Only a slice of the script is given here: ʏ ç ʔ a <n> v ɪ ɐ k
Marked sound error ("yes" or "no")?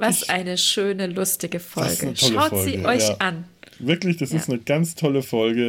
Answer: no